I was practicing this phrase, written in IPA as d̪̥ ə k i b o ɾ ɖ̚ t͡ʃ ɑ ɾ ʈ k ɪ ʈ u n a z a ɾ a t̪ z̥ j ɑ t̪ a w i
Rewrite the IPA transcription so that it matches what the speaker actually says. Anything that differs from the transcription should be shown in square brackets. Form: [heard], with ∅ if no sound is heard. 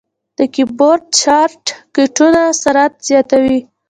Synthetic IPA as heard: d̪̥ ə k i b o ɾ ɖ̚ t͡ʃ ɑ ɾ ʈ k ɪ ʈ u n a [s] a ɾ a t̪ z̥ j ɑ t̪ a w i